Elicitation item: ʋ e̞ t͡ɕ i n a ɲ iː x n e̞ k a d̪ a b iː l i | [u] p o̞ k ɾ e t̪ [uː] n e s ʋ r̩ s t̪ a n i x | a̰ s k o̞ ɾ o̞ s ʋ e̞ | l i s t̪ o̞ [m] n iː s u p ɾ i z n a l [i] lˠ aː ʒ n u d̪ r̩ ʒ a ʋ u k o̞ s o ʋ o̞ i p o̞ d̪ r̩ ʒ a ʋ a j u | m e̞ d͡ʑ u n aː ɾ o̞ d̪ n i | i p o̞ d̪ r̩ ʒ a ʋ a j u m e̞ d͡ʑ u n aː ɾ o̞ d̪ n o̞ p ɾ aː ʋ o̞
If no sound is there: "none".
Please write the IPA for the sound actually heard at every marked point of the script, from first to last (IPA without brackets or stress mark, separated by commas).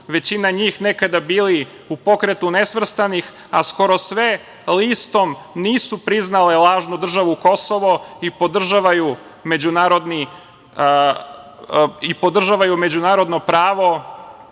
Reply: u, u, m, e